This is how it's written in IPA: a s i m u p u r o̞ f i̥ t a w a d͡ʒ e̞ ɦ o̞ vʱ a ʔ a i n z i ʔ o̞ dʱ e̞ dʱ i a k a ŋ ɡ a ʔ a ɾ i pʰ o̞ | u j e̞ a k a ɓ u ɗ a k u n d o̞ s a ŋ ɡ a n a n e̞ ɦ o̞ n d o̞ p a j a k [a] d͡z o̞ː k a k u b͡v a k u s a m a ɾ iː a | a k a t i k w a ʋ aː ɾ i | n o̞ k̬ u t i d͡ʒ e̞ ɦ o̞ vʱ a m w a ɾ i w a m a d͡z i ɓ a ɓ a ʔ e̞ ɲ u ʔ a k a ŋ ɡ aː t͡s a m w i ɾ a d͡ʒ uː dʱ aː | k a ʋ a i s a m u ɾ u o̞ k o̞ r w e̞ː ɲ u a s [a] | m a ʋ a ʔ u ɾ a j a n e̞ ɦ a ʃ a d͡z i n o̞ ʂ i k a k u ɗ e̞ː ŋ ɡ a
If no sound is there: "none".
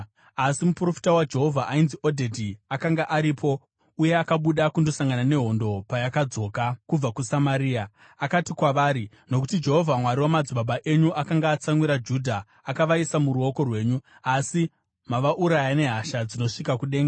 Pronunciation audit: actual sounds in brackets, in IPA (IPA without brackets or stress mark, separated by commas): a, i